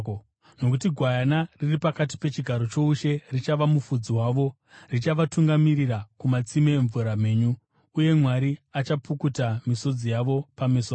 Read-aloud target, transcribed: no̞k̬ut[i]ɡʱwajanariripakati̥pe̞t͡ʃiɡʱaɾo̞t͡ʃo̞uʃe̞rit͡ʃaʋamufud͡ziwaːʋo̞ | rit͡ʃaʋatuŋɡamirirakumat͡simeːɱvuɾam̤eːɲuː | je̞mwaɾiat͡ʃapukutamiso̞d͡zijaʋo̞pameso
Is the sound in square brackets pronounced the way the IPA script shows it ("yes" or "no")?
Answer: yes